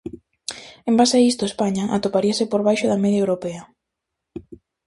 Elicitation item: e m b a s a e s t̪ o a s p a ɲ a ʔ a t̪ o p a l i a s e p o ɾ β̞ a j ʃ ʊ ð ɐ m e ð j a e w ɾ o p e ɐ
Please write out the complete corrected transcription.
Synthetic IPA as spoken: e m b a s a i s t̪ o e s p a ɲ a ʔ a t̪ o p a ɾ i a s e p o ɾ β̞ a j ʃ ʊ ð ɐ m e ð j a e w ɾ o p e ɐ